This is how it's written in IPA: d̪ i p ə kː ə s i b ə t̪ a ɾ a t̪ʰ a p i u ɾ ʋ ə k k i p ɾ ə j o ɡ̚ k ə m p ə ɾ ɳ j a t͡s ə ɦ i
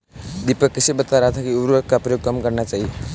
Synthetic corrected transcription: d̪ i p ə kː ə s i b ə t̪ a ɾ a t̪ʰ a k i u ɾ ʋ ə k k a p ɾ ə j o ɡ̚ k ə m k ə ɾ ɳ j a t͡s a ɦ i